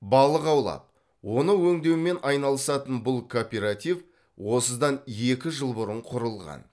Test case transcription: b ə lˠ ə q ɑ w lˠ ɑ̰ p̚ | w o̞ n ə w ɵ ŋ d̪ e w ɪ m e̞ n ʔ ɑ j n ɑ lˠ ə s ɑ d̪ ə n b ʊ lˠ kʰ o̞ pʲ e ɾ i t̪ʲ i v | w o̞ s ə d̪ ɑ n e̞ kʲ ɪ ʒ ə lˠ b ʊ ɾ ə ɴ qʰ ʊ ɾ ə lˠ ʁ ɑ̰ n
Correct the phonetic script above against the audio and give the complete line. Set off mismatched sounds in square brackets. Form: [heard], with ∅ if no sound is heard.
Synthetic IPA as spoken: b [ɑ] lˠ ə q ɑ w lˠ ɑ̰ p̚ | w o̞ n ə w ɵ ŋ d̪ e w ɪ m e̞ n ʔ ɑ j n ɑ lˠ ə s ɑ [t̪] ə n b ʊ lˠ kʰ o̞ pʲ e ɾ [a] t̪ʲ i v | w o̞ s ə d̪ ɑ n e̞ kʲ ɪ ʒ ə lˠ b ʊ ɾ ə ɴ qʰ ʊ ɾ ə lˠ ʁ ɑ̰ n